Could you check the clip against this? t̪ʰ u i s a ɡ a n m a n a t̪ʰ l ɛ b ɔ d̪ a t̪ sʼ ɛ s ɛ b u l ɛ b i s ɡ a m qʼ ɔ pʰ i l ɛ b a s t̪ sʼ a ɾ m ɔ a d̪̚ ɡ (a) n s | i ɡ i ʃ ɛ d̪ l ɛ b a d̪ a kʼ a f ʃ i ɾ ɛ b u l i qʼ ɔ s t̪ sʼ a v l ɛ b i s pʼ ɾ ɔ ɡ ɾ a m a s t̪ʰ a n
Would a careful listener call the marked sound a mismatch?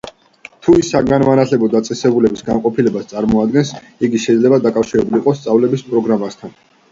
yes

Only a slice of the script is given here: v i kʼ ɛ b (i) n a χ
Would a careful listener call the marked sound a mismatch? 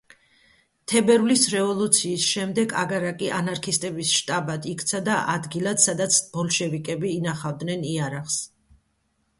yes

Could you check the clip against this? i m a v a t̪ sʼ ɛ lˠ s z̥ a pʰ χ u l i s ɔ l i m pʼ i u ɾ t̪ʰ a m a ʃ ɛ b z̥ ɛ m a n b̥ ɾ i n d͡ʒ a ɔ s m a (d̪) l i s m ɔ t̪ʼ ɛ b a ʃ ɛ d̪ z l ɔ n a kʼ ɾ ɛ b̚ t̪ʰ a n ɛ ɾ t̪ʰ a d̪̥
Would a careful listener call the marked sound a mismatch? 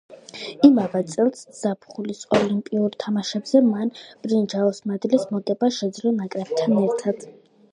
no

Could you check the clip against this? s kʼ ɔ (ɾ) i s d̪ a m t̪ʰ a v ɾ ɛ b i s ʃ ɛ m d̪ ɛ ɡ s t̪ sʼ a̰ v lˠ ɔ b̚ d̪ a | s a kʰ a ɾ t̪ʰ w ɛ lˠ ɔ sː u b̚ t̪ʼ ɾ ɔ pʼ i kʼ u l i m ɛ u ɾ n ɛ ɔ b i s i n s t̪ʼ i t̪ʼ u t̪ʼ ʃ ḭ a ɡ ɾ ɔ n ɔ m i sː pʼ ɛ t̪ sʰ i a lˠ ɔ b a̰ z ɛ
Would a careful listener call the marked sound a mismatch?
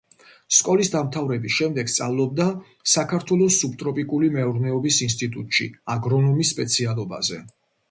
yes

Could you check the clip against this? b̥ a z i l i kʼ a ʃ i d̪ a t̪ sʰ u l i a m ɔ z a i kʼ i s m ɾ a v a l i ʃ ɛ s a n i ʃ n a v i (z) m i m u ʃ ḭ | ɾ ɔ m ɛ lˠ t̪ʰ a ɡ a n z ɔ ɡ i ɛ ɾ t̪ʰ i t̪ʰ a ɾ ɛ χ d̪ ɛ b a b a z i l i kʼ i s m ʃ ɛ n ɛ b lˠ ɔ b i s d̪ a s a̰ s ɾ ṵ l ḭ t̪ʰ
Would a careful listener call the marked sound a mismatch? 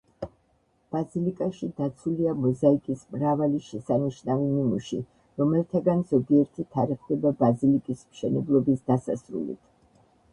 yes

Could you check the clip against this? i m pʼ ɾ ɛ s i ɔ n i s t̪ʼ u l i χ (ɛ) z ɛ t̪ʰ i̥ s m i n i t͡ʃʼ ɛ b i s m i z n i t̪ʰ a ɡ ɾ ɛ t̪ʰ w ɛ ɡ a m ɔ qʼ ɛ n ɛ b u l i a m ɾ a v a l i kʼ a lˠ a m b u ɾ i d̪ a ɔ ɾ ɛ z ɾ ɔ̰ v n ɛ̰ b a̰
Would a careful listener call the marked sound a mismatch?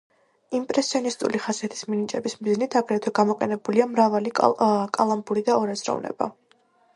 yes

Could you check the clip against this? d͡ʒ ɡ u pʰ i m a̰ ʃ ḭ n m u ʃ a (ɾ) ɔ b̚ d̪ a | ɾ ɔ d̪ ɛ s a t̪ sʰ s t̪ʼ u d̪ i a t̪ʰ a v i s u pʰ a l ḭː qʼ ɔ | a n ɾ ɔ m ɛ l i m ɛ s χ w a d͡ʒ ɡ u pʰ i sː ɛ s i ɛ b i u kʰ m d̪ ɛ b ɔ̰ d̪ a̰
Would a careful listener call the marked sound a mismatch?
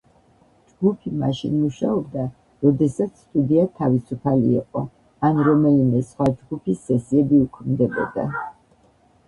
yes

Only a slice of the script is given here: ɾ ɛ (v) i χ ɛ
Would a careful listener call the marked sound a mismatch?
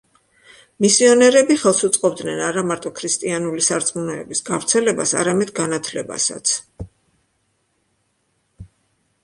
yes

